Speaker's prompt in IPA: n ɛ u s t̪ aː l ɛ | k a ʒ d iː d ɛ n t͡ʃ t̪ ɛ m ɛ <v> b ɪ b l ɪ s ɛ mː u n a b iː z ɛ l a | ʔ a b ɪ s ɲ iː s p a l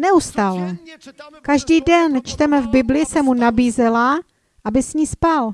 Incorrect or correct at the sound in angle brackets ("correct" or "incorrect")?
correct